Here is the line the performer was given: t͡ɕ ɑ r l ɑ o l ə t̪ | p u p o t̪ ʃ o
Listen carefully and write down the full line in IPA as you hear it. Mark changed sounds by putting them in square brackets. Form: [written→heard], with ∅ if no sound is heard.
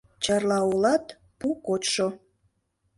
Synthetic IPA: t͡ɕ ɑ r l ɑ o l [ə→ɑ] t̪ | p u [p→k] o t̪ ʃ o